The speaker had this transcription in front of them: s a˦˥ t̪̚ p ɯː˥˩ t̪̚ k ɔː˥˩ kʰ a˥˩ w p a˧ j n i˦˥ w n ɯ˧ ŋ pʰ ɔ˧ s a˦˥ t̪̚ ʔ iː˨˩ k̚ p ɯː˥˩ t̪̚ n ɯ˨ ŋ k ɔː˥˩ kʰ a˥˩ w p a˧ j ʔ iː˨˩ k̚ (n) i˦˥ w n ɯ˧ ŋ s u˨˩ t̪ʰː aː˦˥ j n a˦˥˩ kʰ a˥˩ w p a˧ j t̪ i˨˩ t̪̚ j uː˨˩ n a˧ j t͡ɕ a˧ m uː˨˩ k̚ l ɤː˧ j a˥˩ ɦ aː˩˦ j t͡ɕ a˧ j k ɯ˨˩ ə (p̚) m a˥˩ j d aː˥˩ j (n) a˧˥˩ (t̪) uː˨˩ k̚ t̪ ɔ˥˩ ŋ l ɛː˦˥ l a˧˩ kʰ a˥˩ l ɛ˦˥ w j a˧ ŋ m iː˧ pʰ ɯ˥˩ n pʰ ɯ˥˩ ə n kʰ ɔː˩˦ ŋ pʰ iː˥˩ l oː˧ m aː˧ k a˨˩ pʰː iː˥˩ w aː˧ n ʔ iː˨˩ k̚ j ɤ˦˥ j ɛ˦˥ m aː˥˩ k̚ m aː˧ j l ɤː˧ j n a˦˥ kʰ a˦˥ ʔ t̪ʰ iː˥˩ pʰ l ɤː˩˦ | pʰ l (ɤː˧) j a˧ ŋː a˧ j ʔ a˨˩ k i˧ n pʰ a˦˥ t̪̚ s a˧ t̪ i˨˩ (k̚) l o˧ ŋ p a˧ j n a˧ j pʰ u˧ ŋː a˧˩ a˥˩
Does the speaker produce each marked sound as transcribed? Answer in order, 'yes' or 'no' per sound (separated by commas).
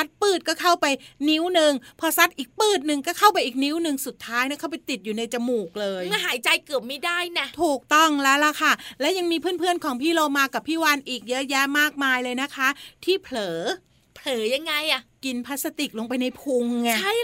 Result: yes, yes, yes, no, no, yes